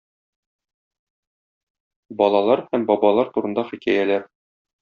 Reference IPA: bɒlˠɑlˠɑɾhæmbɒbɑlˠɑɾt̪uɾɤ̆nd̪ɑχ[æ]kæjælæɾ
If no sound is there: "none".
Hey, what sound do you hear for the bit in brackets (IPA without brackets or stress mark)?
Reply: i